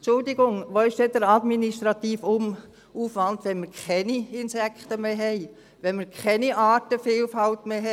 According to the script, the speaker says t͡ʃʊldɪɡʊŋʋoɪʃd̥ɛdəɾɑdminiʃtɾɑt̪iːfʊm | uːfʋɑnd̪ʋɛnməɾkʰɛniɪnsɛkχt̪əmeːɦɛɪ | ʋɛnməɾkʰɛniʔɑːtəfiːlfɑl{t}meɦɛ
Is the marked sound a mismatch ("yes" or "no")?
no